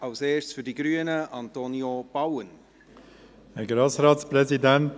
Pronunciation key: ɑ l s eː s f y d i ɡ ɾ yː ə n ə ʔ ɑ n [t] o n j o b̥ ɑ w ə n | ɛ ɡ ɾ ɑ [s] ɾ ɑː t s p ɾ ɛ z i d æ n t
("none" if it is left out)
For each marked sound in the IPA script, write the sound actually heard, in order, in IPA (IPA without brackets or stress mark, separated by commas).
t, s